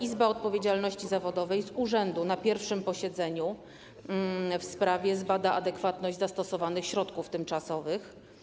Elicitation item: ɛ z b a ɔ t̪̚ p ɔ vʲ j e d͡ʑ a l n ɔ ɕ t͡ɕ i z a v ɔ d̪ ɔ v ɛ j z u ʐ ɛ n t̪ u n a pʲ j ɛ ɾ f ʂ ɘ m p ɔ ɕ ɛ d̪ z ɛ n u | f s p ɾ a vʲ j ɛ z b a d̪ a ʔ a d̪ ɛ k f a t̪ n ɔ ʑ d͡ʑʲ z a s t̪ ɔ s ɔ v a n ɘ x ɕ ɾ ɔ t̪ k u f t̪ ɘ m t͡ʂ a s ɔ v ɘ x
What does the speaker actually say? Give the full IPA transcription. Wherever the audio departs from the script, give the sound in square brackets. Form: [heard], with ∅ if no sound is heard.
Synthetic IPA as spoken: [i] z b a ɔ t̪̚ p ɔ vʲ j e d͡ʑ a l n ɔ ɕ t͡ɕ i z a v ɔ d̪ ɔ v ɛ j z u ʐ ɛ n [d̪] u n a pʲ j ɛ ɾ f ʂ ɘ m p ɔ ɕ ɛ d̪ z ɛ [ɲ] u | f s p ɾ a vʲ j ɛ z b a d̪ a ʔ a d̪ ɛ k f a t̪ n ɔ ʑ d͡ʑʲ z a s t̪ ɔ s ɔ v a n ɘ x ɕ ɾ ɔ t̪ k u f t̪ ɘ m t͡ʂ a s ɔ v ɘ x